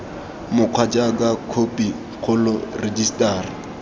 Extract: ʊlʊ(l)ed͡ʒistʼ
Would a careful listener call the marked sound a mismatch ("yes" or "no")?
yes